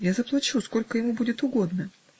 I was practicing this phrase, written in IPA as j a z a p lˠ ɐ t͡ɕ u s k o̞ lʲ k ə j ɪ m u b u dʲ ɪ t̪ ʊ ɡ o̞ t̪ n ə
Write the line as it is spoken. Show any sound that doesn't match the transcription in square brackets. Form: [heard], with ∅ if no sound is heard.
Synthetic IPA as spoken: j a z [ə] p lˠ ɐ t͡ɕ u s k o̞ lʲ k ə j ɪ m u b u dʲ ɪ t̪ ʊ ɡ o̞ [d̪] n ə